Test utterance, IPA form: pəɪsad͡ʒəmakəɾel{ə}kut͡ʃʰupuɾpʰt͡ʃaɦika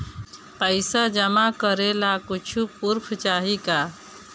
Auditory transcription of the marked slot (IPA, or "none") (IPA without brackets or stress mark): a